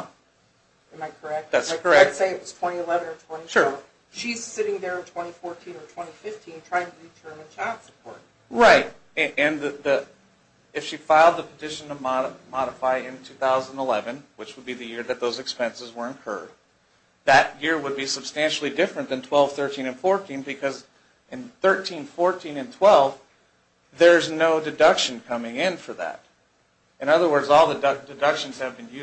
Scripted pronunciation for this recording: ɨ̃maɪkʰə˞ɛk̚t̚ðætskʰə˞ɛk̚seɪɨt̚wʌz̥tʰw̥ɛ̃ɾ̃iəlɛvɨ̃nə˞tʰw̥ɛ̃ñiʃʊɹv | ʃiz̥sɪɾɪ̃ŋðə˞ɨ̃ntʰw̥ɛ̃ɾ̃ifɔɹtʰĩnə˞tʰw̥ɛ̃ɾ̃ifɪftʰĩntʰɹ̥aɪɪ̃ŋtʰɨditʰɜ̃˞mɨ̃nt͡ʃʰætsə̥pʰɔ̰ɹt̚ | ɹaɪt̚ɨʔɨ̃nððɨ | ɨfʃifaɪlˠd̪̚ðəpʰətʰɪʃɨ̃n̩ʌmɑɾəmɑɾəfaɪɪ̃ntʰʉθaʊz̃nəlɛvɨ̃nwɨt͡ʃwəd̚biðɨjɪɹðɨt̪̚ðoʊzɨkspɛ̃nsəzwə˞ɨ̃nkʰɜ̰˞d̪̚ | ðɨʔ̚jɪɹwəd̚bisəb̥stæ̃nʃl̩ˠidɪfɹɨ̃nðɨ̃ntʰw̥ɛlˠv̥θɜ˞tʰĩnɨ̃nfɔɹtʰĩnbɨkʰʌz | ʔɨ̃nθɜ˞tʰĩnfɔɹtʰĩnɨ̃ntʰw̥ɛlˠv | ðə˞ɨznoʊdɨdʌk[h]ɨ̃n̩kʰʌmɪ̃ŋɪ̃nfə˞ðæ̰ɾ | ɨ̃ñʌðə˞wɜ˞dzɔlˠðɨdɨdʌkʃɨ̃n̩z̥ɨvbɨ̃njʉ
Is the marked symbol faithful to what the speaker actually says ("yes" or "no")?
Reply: no